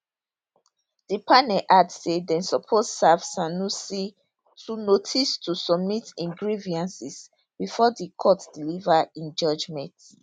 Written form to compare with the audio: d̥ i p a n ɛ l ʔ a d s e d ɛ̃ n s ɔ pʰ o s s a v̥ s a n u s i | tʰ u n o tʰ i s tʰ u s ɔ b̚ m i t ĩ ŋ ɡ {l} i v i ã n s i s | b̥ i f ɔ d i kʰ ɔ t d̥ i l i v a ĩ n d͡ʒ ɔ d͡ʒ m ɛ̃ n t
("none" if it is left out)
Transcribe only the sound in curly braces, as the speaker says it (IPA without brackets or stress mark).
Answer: ɹ